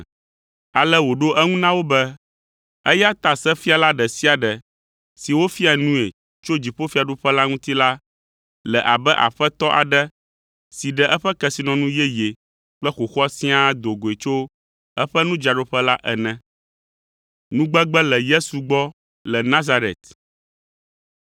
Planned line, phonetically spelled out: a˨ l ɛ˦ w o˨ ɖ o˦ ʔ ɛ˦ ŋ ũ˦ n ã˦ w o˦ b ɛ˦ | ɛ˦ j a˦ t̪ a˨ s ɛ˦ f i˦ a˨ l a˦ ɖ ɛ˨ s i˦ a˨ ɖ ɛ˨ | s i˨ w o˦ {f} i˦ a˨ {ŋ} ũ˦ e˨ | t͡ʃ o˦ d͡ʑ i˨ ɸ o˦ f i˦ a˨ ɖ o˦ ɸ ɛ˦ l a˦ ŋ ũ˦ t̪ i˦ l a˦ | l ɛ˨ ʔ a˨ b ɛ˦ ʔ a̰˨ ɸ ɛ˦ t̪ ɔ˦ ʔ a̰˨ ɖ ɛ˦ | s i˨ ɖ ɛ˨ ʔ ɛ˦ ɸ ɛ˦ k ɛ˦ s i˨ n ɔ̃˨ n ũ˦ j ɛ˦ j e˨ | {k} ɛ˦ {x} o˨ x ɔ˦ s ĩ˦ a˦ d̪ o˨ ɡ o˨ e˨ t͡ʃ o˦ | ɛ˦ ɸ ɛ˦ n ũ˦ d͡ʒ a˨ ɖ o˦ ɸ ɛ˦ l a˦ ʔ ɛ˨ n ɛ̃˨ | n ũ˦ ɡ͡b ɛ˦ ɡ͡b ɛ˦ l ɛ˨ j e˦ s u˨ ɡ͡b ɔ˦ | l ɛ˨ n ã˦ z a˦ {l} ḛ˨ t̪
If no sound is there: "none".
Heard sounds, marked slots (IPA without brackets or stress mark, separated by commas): f, n, k͡p, x, ɾ